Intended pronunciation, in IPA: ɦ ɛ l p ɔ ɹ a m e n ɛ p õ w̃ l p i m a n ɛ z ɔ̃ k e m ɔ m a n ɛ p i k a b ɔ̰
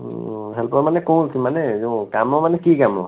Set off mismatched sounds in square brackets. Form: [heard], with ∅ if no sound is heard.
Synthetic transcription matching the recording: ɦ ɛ l p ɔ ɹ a m [a] n ɛ [k] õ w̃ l [k] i m a n ɛ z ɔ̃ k [a] m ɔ m a n ɛ [k] i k a [m] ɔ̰